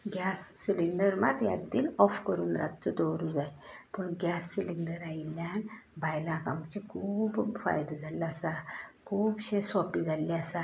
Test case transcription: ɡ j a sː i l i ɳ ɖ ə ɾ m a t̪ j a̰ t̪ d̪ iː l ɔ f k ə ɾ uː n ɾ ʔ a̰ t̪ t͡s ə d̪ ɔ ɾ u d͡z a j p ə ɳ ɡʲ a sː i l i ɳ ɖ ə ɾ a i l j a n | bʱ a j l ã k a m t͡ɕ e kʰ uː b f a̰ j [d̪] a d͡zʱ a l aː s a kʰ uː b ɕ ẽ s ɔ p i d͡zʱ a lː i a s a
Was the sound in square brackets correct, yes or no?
yes